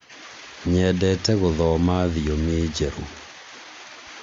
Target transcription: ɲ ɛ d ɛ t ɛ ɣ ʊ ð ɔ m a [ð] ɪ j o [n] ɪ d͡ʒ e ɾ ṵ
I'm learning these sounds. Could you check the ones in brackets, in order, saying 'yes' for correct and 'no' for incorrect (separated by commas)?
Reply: yes, no